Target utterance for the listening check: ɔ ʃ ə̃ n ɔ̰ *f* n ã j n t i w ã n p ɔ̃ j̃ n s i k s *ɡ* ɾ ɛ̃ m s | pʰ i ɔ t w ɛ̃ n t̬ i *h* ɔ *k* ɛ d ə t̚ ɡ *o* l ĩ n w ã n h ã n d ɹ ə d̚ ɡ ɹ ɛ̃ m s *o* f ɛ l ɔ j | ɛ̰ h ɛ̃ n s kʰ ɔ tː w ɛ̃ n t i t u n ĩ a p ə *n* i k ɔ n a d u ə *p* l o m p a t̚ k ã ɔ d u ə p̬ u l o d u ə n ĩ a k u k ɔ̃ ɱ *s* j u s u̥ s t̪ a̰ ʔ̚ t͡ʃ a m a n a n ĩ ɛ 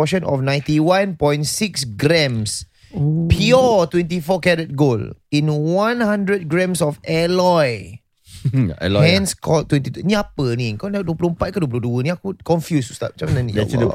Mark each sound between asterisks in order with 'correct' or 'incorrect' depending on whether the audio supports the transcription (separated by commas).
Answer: correct, correct, incorrect, correct, correct, incorrect, correct, correct, incorrect